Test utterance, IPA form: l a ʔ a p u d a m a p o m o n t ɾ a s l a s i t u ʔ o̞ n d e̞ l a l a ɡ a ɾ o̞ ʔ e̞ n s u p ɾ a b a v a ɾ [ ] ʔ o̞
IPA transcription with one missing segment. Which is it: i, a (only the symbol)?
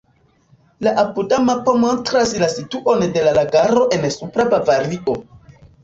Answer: i